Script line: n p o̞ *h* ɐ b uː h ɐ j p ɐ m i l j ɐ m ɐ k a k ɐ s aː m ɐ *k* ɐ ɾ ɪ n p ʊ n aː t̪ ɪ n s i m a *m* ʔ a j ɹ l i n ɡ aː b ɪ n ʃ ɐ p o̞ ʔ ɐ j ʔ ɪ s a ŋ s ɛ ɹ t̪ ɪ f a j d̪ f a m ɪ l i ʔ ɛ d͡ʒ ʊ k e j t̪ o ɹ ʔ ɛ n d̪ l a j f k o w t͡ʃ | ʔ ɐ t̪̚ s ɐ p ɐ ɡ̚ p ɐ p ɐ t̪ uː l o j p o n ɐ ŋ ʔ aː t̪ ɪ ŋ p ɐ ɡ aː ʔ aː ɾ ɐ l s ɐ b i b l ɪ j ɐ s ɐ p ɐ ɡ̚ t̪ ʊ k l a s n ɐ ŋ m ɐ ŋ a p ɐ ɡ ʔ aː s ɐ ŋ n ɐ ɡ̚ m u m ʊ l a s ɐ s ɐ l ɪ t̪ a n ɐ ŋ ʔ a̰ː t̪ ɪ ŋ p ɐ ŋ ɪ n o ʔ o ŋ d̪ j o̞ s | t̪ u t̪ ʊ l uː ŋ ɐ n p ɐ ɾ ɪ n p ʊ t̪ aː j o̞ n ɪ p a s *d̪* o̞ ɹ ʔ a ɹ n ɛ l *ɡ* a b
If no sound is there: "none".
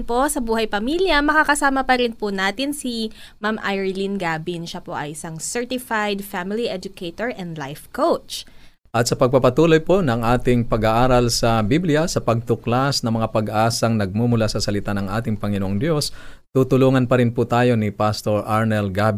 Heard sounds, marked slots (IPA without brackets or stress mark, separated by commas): s, p, m, t̪, ɡ